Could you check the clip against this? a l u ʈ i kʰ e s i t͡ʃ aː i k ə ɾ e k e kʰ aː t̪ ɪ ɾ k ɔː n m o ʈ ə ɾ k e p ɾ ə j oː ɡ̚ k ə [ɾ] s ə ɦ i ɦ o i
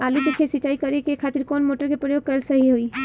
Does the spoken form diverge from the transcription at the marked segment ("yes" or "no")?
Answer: yes